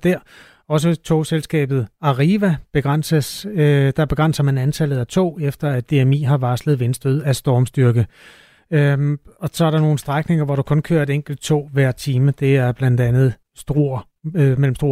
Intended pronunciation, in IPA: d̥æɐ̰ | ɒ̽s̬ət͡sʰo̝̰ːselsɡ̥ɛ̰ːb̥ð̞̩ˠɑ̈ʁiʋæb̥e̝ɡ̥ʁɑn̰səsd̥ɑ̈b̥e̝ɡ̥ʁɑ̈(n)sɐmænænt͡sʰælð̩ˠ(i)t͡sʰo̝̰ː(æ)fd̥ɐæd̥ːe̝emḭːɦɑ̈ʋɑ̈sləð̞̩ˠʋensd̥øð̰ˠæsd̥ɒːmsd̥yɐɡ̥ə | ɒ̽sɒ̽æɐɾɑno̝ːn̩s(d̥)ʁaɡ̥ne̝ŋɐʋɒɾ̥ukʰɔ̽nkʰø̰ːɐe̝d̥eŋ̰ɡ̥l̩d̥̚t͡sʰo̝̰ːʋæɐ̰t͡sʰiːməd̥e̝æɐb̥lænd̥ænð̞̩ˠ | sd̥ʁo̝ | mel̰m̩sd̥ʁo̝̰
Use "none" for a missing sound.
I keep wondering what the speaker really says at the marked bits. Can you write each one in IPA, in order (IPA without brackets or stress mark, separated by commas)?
n, æ, e, d̥